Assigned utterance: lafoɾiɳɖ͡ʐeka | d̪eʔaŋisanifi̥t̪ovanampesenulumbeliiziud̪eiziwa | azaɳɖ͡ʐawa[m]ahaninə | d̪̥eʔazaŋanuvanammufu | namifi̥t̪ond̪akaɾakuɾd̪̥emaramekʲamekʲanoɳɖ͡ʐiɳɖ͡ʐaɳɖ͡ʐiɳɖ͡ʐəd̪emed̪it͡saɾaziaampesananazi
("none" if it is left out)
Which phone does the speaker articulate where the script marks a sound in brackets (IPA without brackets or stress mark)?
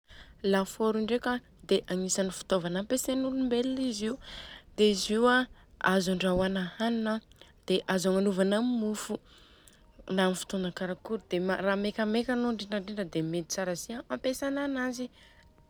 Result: n